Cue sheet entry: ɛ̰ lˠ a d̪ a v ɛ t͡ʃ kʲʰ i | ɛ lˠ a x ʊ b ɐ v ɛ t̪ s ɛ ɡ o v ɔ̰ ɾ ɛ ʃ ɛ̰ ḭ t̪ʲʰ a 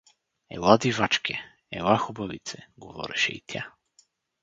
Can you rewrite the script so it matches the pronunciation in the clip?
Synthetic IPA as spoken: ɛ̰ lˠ a d̪ i v a t͡ʃ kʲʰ ɛ | ɛ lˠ a x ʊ b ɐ v i t̪ s ɛ ɡ o v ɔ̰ ɾ ɛ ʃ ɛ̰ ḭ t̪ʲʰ a